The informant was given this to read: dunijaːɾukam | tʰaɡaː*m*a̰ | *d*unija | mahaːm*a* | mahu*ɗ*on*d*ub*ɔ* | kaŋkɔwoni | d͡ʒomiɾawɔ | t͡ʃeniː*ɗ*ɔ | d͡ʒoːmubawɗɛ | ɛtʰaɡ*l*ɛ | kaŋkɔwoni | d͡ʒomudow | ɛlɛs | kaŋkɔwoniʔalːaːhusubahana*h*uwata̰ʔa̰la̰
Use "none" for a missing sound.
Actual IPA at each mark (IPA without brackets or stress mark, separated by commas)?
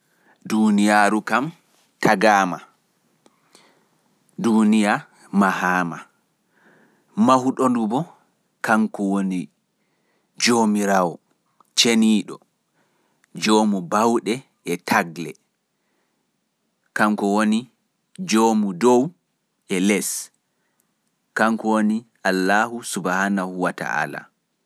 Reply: m, d, a, ɗ, d, ɔ, ɗ, l, h